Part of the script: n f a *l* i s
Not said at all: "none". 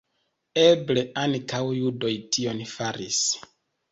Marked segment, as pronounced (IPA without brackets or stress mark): ɾ